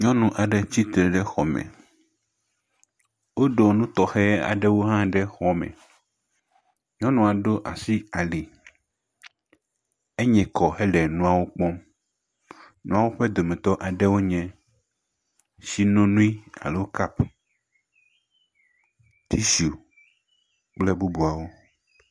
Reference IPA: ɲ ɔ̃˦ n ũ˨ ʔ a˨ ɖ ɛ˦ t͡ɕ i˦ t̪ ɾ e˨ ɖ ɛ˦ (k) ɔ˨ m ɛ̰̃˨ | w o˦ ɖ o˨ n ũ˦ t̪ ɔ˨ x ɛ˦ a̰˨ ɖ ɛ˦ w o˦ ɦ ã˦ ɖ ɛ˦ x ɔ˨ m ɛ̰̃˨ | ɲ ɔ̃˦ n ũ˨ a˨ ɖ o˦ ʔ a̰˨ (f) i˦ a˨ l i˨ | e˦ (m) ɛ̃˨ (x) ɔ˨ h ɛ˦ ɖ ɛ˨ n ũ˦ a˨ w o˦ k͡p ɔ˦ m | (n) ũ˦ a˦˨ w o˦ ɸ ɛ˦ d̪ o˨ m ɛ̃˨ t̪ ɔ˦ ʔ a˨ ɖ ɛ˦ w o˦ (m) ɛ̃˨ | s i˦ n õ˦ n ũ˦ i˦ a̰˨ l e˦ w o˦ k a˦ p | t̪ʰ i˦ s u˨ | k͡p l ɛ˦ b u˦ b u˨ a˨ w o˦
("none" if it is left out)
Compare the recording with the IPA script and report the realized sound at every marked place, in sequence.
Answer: x, s, ɲ, k, n, ɲ

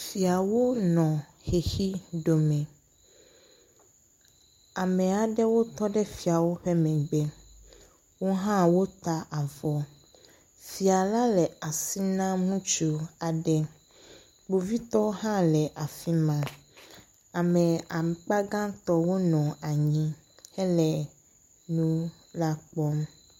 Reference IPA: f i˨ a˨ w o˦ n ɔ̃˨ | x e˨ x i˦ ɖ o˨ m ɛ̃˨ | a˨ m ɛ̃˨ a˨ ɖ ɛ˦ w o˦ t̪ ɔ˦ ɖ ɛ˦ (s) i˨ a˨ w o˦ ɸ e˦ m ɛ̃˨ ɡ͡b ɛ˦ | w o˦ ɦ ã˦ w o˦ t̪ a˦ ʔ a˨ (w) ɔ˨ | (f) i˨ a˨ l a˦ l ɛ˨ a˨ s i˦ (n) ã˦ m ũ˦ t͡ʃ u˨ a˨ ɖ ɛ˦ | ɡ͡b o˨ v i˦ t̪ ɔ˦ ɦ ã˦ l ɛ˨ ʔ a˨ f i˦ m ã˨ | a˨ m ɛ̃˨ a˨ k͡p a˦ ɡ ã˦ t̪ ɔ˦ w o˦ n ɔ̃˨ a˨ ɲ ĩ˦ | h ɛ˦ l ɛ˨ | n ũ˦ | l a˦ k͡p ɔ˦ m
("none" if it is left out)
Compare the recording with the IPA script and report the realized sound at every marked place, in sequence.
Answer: f, v, f, n

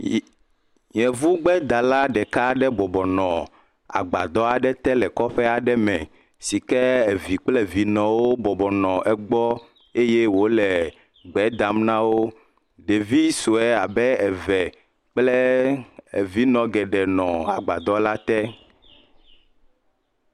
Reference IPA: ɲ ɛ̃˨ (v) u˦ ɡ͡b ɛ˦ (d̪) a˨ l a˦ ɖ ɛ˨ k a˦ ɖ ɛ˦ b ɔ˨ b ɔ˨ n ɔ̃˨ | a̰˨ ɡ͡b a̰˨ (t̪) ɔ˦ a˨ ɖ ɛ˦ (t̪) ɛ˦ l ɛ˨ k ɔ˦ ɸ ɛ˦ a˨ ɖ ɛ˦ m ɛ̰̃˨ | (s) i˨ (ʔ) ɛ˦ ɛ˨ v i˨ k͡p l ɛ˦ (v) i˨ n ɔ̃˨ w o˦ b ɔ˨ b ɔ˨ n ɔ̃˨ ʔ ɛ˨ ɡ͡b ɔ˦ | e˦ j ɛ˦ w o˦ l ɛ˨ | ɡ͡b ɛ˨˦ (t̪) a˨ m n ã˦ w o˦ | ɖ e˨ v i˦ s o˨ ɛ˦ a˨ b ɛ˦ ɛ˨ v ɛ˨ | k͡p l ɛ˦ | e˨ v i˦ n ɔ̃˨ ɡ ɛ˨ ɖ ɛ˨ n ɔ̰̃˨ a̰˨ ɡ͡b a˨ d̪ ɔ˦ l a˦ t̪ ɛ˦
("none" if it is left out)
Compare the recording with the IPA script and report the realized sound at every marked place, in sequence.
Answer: v, d̪, d̪, t̪, s, k, v, d̪

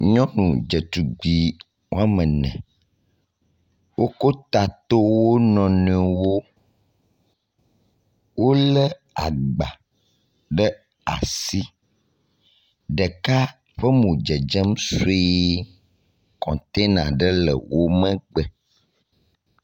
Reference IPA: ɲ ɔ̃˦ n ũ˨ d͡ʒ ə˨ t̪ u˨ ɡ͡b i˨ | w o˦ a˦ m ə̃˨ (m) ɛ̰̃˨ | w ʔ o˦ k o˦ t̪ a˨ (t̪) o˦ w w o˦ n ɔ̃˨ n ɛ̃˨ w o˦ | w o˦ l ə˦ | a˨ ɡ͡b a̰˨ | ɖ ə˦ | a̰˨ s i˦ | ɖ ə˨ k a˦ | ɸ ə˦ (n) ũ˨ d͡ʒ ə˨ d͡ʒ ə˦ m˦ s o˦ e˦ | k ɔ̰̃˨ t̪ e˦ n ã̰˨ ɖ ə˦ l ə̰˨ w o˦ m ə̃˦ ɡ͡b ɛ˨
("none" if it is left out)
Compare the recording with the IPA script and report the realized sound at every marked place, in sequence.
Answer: n, t̪, m

